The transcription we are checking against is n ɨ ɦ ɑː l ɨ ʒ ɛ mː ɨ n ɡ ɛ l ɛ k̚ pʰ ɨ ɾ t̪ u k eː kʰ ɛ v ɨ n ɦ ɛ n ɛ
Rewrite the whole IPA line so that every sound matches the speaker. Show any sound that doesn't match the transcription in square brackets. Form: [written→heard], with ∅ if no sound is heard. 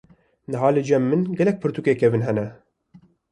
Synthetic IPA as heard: n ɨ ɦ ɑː l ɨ [ʒ→d͡ʒ] ɛ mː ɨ n ɡ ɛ l ɛ k̚ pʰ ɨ ɾ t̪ u k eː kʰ ɛ v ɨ n ɦ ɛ n ɛ

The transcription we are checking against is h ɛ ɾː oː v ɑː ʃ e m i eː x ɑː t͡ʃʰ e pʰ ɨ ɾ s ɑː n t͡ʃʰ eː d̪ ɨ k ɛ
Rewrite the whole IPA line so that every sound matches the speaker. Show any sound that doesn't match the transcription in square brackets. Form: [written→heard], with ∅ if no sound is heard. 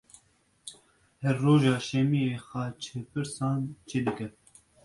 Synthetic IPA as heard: h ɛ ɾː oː [v→ʒ] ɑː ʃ [e→ɛ] m i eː x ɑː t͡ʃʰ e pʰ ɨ ɾ s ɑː n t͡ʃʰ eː d̪ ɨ k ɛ

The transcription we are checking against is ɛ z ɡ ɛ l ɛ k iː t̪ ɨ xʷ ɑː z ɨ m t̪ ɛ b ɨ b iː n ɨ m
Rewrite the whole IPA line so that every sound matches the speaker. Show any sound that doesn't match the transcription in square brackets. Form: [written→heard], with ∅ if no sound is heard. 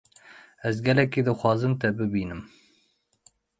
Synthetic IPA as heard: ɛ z ɡ ɛ l ɛ k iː [t̪→d̪] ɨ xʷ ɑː z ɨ m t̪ ɛ b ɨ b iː n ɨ m

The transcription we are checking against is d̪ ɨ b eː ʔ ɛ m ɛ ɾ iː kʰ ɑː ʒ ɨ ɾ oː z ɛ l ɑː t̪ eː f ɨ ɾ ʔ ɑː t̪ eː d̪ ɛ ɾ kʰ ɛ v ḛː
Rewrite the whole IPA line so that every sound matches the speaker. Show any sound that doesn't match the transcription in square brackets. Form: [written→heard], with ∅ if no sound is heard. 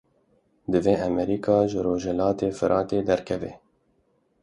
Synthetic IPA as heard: d̪ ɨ [b→v] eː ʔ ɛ m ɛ ɾ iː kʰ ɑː ʒ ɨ ɾ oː [z→ʒ] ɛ l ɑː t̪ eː f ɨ ɾ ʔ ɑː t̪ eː d̪ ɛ ɾ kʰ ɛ v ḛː

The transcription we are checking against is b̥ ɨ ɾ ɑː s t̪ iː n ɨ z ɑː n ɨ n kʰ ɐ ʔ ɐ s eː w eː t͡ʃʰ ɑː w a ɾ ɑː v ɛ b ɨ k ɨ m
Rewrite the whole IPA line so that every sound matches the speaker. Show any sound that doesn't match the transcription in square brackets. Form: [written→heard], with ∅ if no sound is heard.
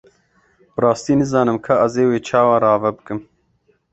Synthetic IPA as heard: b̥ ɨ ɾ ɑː s t̪ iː n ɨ z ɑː n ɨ [n→m] kʰ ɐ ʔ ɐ [s→z] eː w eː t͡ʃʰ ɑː w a ɾ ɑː v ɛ b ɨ k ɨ m

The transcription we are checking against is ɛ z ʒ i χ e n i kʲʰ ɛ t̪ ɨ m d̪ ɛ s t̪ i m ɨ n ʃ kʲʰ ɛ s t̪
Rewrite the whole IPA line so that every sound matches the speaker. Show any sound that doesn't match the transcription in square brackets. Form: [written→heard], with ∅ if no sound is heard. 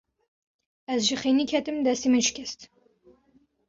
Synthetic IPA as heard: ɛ z ʒ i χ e n i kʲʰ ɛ t̪ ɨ m d̪ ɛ s t̪ i m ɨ n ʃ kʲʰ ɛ s t̪

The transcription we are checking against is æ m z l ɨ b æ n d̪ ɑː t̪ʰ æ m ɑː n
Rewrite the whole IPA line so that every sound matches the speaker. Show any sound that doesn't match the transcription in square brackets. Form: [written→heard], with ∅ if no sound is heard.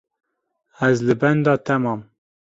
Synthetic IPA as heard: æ [m→∅] z l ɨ b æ n d̪ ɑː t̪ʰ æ m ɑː [n→m]

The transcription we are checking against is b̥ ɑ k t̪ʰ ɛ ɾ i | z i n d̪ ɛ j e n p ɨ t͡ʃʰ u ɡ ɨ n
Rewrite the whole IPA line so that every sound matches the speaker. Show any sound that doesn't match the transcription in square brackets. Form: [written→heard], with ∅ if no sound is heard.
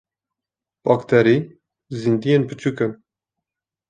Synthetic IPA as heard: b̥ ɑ k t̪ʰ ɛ ɾ i | z i n d̪ [ɛ→i] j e n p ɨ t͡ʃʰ u [ɡ→k] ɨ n

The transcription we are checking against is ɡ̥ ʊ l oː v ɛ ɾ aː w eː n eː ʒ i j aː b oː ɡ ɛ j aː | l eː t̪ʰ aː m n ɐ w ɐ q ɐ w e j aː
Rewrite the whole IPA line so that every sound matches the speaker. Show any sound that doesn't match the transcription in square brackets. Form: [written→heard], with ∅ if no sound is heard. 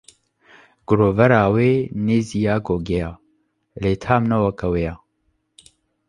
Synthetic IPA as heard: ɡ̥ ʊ [l→ɾ] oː v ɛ ɾ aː w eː n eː [ʒ→z] i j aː [b→ɡ] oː ɡ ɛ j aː | l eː t̪ʰ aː m n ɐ w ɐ [q→k] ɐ w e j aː

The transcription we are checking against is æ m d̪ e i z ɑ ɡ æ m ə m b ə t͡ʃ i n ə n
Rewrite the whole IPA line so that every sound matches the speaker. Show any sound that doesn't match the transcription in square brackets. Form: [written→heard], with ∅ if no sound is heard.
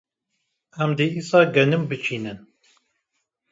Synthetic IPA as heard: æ m d̪ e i [z→s] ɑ ɡ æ [m→n] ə m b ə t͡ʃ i n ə n

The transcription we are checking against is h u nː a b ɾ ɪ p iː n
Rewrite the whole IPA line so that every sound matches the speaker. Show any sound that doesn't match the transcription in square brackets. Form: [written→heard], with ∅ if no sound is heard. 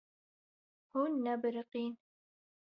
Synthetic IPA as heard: h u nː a b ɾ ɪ [p→q] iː n

